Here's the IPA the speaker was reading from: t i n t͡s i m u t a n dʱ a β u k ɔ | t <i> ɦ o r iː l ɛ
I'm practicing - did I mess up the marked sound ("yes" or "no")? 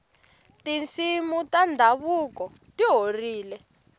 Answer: no